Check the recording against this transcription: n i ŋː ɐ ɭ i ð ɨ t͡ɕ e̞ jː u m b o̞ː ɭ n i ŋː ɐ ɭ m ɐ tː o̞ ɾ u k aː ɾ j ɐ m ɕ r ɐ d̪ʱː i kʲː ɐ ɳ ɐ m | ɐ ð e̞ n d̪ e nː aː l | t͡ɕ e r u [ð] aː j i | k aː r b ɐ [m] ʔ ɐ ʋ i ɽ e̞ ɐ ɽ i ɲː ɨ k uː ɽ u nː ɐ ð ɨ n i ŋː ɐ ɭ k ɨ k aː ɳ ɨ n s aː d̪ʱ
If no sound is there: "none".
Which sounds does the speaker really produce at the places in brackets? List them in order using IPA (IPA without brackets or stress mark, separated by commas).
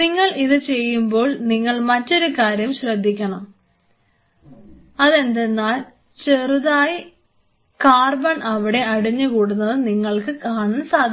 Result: ð, ɳ